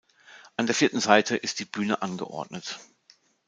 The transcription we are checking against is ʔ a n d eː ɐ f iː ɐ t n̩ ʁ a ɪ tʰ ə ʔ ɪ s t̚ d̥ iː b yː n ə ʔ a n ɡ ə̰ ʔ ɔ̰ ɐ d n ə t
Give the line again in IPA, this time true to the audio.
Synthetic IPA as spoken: ʔ a n d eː ɐ f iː ɐ t n̩ z a ɪ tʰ ə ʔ ɪ s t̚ d̥ iː b yː n ə ʔ a n ɡ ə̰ ʔ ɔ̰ ɐ d n ə t